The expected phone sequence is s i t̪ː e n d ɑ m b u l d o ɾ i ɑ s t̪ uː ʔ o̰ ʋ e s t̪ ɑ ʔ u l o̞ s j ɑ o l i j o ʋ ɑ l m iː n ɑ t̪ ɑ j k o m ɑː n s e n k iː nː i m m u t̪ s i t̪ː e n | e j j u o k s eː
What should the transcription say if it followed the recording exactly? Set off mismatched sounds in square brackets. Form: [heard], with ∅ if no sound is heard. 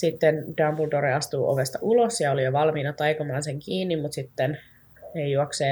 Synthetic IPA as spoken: s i t̪ː e n d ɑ m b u l d o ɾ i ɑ s t̪ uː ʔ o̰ ʋ e s t̪ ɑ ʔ u l o̞ s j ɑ o l i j o ʋ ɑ l m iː n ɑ t̪ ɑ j k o m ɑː n s e [ŋ] k iː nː i m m u t̪ s i t̪ː e n | e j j u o k s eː